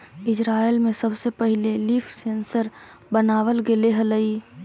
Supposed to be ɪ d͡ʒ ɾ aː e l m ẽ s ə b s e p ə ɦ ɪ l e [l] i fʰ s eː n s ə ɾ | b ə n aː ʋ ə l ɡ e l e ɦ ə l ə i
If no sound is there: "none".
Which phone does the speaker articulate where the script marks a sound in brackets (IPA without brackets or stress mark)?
l